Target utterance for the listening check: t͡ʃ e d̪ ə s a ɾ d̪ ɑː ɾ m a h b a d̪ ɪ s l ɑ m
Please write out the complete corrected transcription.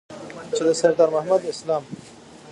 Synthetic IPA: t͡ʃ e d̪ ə s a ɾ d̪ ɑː ɾ m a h m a d̪ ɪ s l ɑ m

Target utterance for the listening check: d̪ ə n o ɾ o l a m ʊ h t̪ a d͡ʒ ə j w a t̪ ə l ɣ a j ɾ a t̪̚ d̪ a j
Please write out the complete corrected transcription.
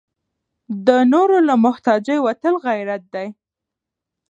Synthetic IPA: d̪ ə n o ɾ o l a m ʊ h t̪ ɑ d͡ʒ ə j w a t̪ ə l ɣ a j ɾ a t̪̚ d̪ a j

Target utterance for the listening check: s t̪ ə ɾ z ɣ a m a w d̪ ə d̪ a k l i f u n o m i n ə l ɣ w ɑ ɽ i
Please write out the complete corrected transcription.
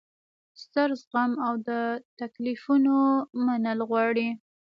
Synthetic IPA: s t̪ ə ɾ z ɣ a m a w d̪ ə t̪ a k l i f u n o m a n ə l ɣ w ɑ ɽ i

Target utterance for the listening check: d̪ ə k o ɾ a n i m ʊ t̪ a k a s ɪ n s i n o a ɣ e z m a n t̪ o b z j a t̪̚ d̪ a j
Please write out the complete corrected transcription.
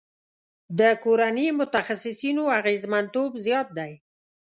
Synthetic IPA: d̪ ə k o ɾ a n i m ʊ t̪ a x a s ɪ s i n o a ɣ e z m a n t̪ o b z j ɑ t̪̚ d̪ a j

